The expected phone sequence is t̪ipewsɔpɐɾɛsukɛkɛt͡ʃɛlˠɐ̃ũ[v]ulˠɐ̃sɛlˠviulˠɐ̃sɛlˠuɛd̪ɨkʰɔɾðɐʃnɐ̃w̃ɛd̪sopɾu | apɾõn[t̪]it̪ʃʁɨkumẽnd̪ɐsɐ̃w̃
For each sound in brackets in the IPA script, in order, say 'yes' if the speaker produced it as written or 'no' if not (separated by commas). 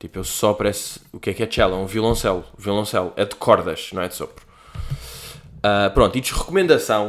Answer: yes, yes